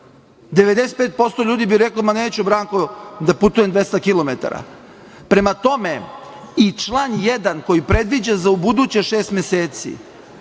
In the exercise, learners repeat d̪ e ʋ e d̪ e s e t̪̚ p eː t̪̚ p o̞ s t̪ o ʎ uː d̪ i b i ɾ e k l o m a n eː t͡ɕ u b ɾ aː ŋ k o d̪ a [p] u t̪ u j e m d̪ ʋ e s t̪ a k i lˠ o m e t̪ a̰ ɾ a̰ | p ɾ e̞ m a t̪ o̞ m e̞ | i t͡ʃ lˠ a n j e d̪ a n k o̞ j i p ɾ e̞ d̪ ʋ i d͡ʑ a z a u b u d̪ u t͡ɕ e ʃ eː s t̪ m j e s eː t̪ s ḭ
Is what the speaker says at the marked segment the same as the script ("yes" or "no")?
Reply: yes